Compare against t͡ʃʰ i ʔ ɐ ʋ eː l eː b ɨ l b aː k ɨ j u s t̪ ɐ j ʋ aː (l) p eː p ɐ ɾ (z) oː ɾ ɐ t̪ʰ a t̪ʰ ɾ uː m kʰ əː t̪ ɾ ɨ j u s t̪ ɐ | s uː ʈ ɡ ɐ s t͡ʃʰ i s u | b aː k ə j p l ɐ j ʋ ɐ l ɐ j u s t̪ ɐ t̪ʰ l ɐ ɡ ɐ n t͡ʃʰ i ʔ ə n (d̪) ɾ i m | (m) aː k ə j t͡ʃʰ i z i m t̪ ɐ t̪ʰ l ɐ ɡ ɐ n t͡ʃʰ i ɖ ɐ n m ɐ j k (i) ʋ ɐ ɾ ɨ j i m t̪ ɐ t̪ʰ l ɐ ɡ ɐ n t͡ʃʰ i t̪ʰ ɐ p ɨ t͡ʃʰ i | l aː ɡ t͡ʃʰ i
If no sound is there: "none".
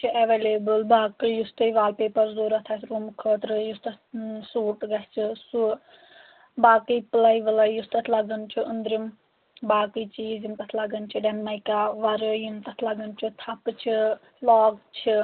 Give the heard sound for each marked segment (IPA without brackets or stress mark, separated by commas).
l, z, d̪, b, a